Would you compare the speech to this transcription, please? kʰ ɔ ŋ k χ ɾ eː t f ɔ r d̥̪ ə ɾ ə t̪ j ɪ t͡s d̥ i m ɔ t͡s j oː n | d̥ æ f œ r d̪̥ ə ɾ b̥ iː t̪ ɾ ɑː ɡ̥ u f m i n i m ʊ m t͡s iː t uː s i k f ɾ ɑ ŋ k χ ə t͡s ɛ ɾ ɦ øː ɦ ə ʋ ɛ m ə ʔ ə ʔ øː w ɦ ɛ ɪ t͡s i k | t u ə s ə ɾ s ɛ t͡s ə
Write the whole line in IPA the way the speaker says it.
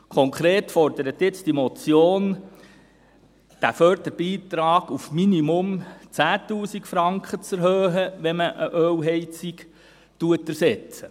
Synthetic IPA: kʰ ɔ ŋ k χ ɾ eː t f ɔ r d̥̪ ə ɾ ə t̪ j ɪ t͡s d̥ i m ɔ t͡s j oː n | d̥ æ f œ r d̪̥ ə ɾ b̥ iː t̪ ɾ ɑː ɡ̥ u f m i n i m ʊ m t͡s æː t uː s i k f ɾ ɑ ŋ k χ ə t͡s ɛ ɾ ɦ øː ɦ ə ʋ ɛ m ə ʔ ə ʔ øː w ɦ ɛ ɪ t͡s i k | t u ə t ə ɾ s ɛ t͡s ə

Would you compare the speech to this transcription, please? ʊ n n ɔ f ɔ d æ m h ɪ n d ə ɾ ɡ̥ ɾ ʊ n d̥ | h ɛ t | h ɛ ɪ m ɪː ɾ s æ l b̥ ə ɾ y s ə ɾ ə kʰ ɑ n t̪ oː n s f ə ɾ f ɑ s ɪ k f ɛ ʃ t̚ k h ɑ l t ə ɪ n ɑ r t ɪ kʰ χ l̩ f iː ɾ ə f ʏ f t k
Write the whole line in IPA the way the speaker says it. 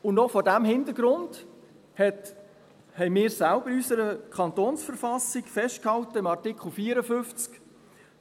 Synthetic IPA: ʊ n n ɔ f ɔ d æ m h ɪ n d ə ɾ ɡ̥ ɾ ʊ n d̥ | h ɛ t | h ɛ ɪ m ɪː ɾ s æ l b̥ ə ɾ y s ə ɾ ə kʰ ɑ n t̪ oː n s f ə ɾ f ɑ s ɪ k f ɛ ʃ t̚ k h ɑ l t ə ɪ m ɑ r t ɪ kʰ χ l̩ f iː ɾ ə f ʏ f t͡s k

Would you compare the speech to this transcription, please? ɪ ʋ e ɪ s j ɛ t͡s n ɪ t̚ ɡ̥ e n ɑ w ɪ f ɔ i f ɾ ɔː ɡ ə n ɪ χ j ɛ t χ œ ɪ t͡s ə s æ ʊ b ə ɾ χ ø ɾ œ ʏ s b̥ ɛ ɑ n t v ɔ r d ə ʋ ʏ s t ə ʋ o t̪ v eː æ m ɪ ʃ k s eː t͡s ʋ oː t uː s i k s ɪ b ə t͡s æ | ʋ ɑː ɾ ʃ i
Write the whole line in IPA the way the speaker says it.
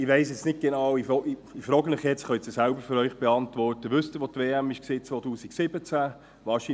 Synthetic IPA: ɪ ʋ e ɪ s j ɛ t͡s n ɪ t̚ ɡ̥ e n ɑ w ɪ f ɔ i f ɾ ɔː ɡ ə n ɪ χ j ɛ t͡s χ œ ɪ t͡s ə s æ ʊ b ə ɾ f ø ɾ œ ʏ χ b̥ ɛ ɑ n t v ɔ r t ə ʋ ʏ s t ə ʋ o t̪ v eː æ m ɪ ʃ k s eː t͡s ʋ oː t uː s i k s ɪ b ə t͡s æ | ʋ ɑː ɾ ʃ i

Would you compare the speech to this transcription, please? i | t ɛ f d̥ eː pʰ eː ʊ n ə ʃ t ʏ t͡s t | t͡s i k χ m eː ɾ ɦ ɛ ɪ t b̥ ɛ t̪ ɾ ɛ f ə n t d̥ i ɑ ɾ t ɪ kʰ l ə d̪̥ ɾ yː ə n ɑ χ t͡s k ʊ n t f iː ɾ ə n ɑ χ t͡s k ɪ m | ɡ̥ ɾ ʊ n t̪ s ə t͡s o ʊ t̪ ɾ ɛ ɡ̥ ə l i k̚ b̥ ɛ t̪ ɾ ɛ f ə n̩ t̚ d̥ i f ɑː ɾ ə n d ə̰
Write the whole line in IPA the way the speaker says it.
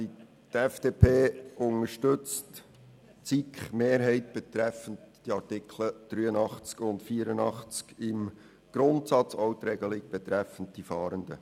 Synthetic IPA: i | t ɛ f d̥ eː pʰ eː ʊ n ə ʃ t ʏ t͡s t | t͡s i k χ m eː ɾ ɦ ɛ ɪ t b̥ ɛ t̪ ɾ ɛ f ə n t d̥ i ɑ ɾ t ɪ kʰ l ə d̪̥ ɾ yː ə n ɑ χ t͡s k ʊ n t f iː ɾ ə n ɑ χ t͡s k ɪ m | ɡ̥ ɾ ʊ n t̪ s ɑ t͡s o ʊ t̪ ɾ ɛ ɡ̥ ə l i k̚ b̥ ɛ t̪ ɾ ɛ f ə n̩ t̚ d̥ i f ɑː ɾ ə n d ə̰

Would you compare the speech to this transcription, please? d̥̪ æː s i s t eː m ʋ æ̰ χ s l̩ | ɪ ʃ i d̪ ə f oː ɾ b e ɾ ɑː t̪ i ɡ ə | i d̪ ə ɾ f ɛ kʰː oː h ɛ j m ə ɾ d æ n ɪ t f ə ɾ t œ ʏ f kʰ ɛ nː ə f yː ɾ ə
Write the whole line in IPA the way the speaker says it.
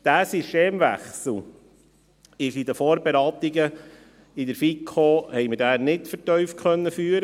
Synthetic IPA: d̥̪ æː s i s t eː m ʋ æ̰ χ s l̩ | ɪ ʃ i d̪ ə f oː ɾ b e ɾ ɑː t̪ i ɡ ə | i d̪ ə ɾ f i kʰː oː h ɛ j m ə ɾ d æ n ɪ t f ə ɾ t œ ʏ f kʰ œ nː ə f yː ɾ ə

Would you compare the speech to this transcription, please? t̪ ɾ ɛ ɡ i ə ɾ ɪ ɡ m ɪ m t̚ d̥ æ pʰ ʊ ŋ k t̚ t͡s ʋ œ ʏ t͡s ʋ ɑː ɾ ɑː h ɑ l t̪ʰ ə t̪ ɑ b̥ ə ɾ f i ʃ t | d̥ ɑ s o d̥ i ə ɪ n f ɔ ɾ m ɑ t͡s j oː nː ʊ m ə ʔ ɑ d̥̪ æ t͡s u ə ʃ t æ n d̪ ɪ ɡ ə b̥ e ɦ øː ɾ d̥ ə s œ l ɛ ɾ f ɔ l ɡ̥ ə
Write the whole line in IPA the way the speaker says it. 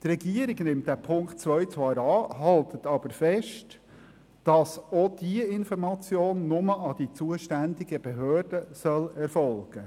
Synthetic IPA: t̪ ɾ ɛ ɡ i ə ɾ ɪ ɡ n ɪ m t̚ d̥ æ pʰ ʊ ŋ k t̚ t͡s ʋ œ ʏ t͡s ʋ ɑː ɾ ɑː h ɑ l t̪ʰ ə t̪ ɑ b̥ ə ɾ f ɛ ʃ t | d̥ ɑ s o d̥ i ə ɪ n f ɔ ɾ m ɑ t͡s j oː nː ʊ m ə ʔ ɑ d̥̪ i t͡s u ə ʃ t æ n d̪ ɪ ɡ ə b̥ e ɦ øː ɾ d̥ ə s œ l ɛ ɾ f ɔ l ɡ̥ ə

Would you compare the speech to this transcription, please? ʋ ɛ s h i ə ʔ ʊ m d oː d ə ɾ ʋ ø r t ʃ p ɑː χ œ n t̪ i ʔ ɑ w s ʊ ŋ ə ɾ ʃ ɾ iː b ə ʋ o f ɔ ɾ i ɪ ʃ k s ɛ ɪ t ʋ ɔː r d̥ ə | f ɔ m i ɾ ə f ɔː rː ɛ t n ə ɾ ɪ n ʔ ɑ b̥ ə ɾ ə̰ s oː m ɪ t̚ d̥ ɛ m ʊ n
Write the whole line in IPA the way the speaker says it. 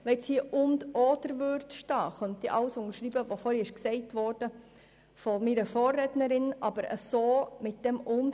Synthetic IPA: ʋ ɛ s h i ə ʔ ʊ n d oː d ə ɾ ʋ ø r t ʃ t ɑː χ œ n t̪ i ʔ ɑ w s ʊ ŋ ə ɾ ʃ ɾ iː b ə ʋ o f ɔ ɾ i ɪ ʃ k s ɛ ɪ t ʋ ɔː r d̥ ə | f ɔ m i ɾ ə f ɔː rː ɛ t n ə ɾ ɪ n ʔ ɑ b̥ ə ɾ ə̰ s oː m ɪ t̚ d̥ ɛ m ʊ n

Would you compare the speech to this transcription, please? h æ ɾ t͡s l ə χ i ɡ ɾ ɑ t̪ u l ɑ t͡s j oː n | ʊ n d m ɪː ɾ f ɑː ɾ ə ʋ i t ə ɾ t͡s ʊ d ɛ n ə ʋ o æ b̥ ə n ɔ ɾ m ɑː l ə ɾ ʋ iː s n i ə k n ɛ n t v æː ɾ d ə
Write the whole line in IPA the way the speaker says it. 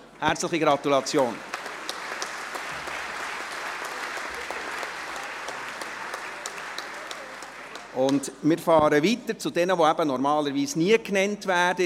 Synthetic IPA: h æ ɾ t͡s l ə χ i ɡ ɾ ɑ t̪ u l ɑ t͡s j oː n | ʊ n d m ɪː ɾ f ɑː ɾ ə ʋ i t ə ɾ t͡s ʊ d ɛ n ə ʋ o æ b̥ ə n ɔ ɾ m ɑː l ə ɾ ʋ iː s n i ə k n ɛ n t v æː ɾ d ə

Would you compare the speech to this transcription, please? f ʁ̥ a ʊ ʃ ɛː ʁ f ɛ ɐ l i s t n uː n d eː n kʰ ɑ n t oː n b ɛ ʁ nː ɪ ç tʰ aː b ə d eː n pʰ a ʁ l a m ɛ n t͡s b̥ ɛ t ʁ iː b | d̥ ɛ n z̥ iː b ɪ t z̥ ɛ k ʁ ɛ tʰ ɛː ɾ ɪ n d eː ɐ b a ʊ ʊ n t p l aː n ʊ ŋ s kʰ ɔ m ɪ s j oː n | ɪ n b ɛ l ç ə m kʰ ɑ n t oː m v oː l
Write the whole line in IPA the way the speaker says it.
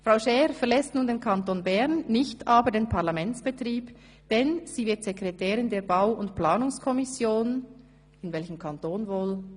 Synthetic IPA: f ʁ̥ a ʊ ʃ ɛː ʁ f ɛ ɐ l ɛ s t n uː n d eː n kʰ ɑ n t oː n b ɛ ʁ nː ɪ ç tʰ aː b ə d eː n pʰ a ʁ l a m ɛ n t͡s b̥ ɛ t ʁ iː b | d̥ ɛ n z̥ iː v ɪ t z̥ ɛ k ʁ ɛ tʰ ɛː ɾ ɪ n d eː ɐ b a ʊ ʊ n t p l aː n ʊ ŋ s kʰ ɔ m ɪ s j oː n | ɪ n v ɛ l ç ə m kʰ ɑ n t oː n v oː l

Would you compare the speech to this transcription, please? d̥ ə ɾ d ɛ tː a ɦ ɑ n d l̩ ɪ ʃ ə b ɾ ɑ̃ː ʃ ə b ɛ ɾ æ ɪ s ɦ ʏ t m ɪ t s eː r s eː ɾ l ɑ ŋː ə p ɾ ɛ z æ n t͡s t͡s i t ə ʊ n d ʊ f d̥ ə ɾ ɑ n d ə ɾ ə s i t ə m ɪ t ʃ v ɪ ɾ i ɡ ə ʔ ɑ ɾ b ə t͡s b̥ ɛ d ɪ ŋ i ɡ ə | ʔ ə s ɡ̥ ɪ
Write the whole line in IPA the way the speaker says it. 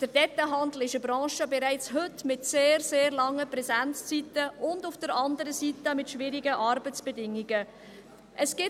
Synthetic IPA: d̥ ə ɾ d ɛ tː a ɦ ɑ n d l̩ ɪ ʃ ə b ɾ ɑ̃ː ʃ ə b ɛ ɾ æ ɪ t͡s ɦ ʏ t m ɪ t s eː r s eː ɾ l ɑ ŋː ə p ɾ ɛ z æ n t͡s t͡s i t ə ʊ n d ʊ f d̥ ə ɾ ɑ n d ə ɾ ə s i t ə m ɪ t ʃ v ɪ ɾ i ɡ ə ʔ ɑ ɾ b ə t͡s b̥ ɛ d ɪ ŋ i ɡ ə | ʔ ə s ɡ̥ ɪ

